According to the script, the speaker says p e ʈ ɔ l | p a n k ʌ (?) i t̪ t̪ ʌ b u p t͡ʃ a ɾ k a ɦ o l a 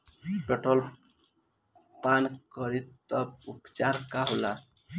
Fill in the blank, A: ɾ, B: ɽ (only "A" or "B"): A